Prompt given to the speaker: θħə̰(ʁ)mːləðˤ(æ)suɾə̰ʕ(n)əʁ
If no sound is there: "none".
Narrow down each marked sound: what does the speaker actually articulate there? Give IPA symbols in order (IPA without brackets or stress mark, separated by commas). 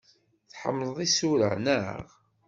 none, i, n